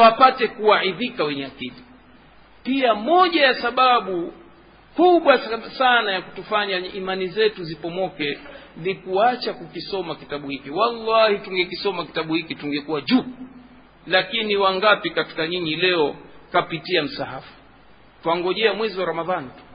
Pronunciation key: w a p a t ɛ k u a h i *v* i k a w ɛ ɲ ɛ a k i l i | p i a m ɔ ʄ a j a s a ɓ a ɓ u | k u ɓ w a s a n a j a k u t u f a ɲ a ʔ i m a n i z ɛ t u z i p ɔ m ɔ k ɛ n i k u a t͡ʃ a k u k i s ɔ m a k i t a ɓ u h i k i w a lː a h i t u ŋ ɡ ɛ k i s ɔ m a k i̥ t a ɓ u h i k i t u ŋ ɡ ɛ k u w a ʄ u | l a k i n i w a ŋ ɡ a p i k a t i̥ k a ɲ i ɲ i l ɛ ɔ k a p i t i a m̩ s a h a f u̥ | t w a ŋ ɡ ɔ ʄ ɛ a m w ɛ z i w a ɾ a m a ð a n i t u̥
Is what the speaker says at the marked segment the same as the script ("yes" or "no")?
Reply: no